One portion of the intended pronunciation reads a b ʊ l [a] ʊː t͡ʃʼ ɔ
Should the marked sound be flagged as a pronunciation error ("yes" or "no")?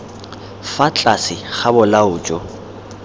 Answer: no